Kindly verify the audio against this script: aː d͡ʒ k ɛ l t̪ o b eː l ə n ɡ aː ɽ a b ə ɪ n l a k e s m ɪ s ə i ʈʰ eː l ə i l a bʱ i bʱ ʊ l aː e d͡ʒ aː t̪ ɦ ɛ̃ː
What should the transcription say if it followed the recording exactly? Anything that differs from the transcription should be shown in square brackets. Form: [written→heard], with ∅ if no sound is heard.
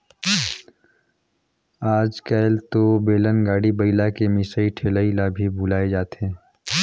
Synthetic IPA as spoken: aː d͡ʒ k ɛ l t̪ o b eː l ə n ɡ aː ɽ [a→i] b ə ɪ [n→∅] l a k e [s→∅] m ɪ s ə i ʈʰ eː l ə i l a bʱ i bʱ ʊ l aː e d͡ʒ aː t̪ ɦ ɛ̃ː